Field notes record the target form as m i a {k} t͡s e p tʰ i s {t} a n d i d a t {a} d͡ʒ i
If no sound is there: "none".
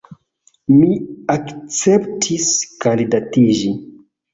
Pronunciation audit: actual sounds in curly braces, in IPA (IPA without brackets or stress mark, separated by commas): k, k, i